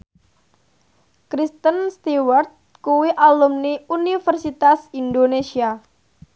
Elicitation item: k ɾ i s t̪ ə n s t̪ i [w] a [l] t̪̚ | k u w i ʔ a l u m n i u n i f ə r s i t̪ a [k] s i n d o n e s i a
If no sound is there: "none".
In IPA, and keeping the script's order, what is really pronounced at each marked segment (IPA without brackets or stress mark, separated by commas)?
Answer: w, r, none